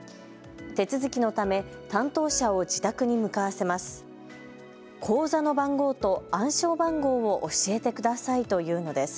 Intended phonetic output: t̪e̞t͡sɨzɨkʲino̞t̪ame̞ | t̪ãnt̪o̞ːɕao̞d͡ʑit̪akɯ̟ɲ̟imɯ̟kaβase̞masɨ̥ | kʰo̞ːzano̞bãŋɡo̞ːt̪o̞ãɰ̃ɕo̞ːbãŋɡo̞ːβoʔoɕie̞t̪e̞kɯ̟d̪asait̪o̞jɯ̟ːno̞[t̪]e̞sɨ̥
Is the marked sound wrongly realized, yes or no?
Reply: yes